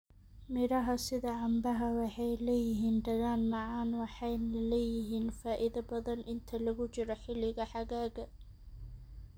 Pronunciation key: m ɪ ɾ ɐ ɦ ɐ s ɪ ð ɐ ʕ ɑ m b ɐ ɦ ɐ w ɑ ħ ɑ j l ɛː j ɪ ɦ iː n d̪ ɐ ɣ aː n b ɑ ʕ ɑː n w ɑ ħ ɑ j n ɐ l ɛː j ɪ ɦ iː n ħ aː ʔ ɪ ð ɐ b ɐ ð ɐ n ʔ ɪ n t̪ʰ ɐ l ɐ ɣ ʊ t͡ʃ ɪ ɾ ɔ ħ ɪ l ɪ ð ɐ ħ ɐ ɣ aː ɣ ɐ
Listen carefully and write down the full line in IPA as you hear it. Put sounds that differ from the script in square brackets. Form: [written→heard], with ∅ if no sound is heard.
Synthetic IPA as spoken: m ɪ ɾ ɐ ɦ ɐ s ɪ ð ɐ ʕ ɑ m b ɐ ɦ ɐ w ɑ ħ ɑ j l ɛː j ɪ ɦ iː n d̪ ɐ ɣ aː n [b→m] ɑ ʕ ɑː n w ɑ ħ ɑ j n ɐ l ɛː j ɪ ɦ iː n [ħ→f] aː ʔ ɪ ð ɐ b ɐ ð ɐ n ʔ ɪ n t̪ʰ ɐ l ɐ ɣ ʊ t͡ʃ ɪ ɾ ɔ ħ ɪ l ɪ [ð→ɣ] ɐ ħ [ɐ→ɑ] ɣ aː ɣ ɐ